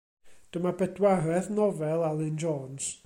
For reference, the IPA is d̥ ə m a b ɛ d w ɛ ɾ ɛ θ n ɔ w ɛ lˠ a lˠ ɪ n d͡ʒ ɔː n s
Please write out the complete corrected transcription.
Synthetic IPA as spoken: d̥ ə m a b ɛ d w a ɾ ɛ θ n ɔ v ɛ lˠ a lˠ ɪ n d͡ʒ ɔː n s